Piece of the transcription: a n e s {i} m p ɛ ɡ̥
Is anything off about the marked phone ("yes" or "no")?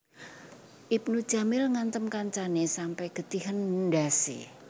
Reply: yes